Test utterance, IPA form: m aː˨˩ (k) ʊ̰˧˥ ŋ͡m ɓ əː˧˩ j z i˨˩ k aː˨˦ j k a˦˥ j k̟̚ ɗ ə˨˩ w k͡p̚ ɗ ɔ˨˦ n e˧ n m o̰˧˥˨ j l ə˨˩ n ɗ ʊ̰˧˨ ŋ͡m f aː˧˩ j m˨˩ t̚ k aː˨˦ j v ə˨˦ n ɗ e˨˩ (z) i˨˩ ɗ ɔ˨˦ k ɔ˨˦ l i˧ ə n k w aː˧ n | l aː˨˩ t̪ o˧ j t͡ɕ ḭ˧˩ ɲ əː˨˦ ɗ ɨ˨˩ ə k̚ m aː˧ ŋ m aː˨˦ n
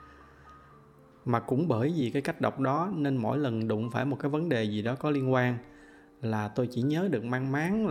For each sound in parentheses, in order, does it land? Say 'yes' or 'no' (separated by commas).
yes, yes